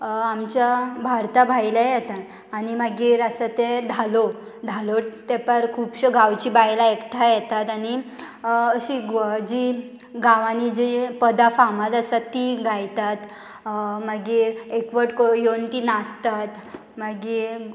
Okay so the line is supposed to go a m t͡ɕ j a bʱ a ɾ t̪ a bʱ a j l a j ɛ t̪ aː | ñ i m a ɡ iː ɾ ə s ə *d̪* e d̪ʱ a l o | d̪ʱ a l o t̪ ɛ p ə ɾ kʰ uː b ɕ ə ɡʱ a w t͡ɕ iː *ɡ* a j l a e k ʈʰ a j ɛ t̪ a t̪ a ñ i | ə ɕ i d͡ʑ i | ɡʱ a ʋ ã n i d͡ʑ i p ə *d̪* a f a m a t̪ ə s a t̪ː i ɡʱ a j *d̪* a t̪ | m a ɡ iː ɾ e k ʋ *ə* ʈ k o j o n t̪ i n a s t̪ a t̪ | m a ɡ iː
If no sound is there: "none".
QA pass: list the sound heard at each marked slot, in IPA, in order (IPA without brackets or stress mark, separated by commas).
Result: t̪, b, d̪, t̪, ə